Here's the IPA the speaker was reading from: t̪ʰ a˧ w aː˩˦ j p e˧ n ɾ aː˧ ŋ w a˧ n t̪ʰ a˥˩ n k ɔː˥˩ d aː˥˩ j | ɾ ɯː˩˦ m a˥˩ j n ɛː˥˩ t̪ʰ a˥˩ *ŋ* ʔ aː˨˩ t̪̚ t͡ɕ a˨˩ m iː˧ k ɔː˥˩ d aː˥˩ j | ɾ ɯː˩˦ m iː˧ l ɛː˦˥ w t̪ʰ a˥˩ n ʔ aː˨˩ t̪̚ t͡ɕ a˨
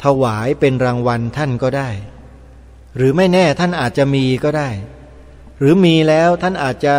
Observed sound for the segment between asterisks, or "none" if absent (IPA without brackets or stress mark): n